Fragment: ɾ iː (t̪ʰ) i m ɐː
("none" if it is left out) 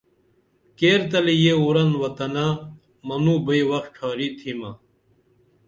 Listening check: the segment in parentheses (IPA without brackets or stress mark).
t̪ʰ